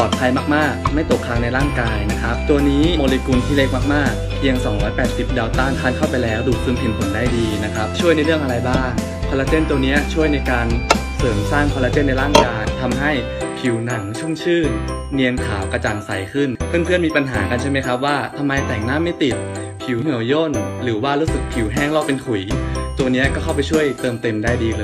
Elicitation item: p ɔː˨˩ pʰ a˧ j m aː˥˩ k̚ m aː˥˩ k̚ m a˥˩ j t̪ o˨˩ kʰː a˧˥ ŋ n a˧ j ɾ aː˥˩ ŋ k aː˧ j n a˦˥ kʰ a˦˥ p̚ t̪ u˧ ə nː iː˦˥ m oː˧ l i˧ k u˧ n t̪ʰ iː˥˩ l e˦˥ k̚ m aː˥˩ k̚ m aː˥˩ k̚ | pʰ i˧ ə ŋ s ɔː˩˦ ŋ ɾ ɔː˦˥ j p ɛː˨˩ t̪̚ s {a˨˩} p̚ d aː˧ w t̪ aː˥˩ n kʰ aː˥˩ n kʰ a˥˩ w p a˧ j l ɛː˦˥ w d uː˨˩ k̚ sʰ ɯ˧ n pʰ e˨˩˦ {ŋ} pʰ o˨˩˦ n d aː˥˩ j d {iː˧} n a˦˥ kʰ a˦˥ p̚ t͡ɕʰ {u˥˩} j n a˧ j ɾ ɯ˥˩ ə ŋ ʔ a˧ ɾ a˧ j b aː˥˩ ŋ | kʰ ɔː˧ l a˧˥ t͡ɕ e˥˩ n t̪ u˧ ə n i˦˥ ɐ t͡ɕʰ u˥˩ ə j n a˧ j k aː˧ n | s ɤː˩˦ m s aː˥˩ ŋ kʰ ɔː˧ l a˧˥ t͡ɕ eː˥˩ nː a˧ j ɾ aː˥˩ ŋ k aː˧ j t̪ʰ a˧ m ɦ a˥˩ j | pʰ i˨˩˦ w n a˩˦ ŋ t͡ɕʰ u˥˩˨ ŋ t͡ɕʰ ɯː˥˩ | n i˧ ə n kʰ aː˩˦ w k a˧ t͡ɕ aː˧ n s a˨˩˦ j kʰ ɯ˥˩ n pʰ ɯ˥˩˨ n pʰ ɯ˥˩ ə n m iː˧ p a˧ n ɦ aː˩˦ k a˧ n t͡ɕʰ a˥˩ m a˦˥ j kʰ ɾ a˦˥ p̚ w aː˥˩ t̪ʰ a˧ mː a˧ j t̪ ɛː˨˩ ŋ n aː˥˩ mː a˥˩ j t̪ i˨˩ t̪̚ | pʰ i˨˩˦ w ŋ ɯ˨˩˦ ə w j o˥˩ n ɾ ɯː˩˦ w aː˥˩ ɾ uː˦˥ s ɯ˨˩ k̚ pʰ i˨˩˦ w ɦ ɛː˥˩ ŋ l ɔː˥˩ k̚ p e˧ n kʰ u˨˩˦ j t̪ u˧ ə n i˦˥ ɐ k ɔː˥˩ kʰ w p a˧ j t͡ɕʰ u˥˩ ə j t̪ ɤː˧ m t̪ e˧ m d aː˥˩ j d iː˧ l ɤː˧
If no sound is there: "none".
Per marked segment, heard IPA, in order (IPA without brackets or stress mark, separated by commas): i˨˩, n, iː˧, u˥˩